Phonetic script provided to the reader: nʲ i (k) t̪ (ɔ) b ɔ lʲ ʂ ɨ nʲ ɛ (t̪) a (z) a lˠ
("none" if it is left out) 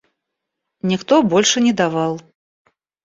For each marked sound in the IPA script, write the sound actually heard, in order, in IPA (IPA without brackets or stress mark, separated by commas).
x, ɔ, d̪, v